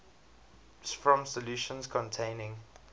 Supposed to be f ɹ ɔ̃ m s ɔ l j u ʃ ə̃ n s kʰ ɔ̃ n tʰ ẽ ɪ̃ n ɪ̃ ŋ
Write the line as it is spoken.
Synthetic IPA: f ɹ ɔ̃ m s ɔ l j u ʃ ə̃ n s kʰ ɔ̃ n tʰ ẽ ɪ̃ n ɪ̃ ŋ